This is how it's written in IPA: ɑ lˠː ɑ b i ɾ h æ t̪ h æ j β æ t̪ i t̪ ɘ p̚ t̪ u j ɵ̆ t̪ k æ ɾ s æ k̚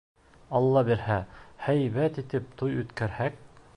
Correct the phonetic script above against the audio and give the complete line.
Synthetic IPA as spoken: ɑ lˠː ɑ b i ɾ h æ h æ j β æ t̪ i t̪ ɘ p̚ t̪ u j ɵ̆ t̪ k æ ɾ h æ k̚